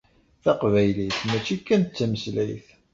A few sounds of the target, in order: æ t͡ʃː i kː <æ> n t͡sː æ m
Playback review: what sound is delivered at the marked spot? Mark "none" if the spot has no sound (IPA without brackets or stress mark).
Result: æ